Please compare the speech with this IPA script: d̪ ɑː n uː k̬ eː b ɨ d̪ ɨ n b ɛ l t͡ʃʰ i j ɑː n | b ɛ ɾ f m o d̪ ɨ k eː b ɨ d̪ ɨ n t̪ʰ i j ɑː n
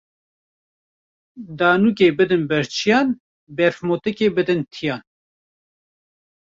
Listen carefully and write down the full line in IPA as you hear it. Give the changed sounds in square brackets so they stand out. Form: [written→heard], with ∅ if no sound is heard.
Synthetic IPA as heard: d̪ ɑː n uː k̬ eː b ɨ d̪ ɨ n b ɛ [l→ɾ] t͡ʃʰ i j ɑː n | b ɛ ɾ f m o [d̪→t̪] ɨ k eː b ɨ d̪ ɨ n t̪ʰ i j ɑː n

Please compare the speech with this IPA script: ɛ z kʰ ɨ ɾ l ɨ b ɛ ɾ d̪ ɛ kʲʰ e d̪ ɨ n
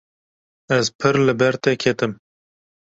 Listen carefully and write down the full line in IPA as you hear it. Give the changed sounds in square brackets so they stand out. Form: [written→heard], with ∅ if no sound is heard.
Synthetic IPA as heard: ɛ z [kʰ→pʰ] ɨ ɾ l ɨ b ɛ ɾ [d̪→t̪] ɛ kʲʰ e [d̪→t̪] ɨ [n→m]

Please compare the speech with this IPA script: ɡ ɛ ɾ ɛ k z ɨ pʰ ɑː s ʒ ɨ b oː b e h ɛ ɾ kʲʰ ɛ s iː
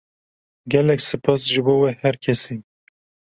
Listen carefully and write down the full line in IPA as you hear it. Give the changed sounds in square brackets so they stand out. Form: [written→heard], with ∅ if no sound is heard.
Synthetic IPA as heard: ɡ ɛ [ɾ→l] ɛ k [z→s] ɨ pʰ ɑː s ʒ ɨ b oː [b→w] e h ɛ ɾ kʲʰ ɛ s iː

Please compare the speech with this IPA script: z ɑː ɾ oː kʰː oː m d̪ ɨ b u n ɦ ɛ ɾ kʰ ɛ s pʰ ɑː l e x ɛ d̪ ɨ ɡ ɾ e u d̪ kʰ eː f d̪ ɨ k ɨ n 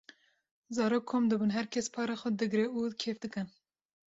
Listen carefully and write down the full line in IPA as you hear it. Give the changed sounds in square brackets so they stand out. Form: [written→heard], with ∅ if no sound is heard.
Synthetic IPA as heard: z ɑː ɾ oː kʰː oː m d̪ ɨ b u n ɦ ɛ ɾ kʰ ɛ s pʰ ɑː [l→ɾ] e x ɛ d̪ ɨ ɡ ɾ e u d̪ kʰ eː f d̪ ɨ k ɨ n

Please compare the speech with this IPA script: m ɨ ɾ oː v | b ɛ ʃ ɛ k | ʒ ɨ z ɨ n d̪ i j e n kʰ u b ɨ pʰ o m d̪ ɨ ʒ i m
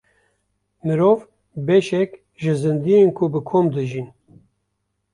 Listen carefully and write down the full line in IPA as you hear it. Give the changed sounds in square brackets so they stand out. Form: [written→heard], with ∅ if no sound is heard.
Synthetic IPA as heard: m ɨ ɾ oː v | b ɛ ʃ ɛ k | ʒ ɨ z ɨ n d̪ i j e n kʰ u b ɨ [pʰ→kʰ] o m d̪ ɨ ʒ i [m→n]

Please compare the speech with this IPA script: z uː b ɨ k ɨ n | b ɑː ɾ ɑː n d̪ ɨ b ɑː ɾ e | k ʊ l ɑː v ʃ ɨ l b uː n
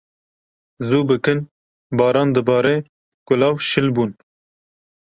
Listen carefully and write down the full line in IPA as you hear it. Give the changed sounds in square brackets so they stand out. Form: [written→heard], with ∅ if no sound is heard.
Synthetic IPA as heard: z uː b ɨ k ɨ n | b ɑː ɾ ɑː n d̪ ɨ b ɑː ɾ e | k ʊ l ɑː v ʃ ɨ l b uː n

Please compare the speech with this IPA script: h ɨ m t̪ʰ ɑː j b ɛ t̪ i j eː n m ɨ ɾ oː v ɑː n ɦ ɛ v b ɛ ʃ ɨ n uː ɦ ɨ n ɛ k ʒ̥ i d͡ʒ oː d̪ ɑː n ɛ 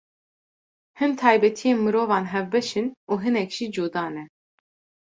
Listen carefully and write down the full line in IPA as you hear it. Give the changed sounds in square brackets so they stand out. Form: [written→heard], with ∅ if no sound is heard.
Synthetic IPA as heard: h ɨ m t̪ʰ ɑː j b ɛ [t̪→t̪ʰ] i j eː n m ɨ ɾ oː v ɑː n ɦ ɛ v b ɛ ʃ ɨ n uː ɦ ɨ n ɛ k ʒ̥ i d͡ʒ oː d̪ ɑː n ɛ

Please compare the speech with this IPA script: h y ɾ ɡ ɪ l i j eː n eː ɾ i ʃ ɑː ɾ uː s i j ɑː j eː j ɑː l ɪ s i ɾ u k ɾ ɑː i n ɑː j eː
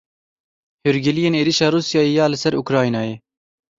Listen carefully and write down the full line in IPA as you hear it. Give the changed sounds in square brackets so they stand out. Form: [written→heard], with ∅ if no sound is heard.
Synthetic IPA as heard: h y ɾ ɡ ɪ l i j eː n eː ɾ i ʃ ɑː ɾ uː s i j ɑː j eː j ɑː l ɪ s [i→ɛ] ɾ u k ɾ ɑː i n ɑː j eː

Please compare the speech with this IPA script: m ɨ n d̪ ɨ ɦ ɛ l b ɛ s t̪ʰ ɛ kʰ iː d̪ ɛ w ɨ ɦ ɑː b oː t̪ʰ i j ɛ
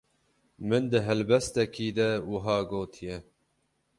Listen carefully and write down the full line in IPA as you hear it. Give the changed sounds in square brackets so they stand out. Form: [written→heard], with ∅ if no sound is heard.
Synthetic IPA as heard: m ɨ n d̪ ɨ ɦ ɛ l b ɛ s [t̪ʰ→t̪] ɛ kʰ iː d̪ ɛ w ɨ ɦ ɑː [b→ɡ] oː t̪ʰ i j ɛ

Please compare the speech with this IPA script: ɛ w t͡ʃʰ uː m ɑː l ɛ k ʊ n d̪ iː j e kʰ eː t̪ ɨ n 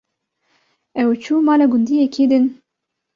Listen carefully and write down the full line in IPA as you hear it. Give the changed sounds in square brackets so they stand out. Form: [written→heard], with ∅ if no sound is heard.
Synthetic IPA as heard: ɛ w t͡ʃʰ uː m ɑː l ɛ [k→ɡ] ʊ n d̪ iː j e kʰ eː [t̪→d̪] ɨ n

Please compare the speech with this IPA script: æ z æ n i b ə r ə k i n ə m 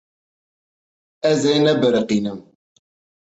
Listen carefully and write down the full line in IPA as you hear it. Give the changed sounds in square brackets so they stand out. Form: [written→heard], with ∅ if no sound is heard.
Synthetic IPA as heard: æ z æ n [i→æ] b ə [r→ɾ] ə [k→q] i n ə m

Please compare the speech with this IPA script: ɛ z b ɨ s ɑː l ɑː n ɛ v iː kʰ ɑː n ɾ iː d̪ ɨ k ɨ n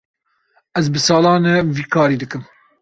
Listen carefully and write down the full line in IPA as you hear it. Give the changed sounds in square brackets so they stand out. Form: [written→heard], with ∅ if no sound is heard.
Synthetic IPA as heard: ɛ z b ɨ s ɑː l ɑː n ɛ v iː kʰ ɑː [n→∅] ɾ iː d̪ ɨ k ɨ [n→m]

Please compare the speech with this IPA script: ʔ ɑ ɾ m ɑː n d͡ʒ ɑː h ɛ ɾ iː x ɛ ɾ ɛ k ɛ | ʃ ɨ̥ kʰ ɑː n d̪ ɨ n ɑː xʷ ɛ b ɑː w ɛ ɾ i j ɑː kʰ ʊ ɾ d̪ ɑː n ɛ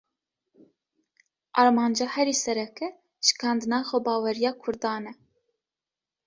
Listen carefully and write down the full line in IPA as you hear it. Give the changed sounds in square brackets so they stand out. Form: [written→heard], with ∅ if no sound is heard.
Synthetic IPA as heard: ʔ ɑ ɾ m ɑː n d͡ʒ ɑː h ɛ ɾ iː [x→s] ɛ ɾ ɛ k ɛ | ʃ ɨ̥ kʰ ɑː n d̪ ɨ n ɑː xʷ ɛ b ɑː w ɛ ɾ i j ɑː kʰ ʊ ɾ d̪ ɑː n ɛ

